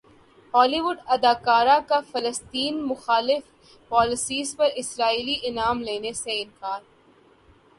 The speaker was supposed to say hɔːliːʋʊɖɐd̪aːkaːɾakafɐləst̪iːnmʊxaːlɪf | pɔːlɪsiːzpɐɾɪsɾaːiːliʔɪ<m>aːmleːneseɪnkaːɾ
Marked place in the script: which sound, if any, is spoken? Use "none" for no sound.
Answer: n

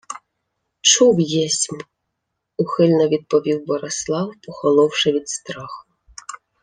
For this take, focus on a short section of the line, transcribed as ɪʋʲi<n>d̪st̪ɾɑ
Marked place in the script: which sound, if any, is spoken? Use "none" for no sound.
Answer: none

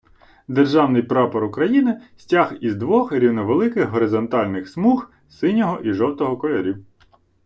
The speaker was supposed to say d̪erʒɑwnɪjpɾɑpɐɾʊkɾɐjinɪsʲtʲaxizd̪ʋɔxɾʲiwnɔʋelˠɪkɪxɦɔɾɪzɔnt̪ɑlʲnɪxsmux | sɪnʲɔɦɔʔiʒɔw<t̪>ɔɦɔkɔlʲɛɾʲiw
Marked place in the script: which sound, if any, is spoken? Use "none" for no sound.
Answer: t̪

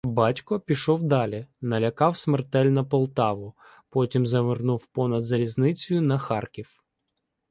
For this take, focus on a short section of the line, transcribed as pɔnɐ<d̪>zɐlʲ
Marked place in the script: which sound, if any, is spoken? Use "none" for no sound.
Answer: d̪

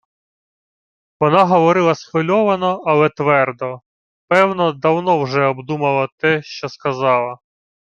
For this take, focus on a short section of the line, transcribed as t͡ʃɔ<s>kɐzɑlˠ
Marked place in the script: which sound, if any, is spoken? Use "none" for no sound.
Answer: s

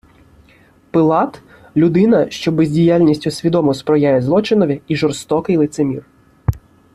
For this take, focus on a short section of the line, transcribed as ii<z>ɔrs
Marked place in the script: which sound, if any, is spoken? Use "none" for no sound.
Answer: ʒ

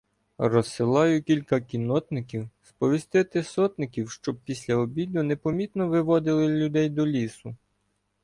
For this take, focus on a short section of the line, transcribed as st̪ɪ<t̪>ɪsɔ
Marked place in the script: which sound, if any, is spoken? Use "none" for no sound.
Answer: t̪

